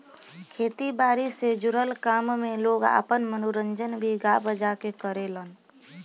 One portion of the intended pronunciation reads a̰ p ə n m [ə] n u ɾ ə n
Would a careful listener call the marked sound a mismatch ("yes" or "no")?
no